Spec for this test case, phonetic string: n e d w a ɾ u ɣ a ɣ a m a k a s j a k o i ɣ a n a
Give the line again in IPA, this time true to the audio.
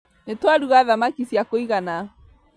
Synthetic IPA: n e t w a ɾ u ɣ a ð a m a k i s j a k o i ɣ a n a